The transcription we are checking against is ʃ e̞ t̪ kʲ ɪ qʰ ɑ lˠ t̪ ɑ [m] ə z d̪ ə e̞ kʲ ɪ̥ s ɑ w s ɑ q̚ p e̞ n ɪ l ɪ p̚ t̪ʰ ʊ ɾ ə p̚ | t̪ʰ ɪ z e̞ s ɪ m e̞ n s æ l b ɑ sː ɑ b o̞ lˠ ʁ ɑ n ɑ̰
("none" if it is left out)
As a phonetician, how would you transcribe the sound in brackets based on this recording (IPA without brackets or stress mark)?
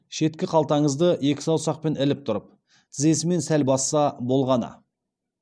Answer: ɴ